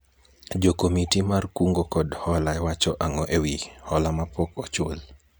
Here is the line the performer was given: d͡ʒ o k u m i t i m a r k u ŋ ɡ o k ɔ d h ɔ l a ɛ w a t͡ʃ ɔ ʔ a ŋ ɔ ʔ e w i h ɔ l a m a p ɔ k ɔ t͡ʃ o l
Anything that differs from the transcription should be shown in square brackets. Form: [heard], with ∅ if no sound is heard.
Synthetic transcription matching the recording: d͡ʒ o k [o] m i t i m a r k u ŋ ɡ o k ɔ d h ɔ l a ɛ w a t͡ʃ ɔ ʔ a ŋ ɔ ʔ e w i h ɔ l a m a p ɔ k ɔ t͡ʃ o l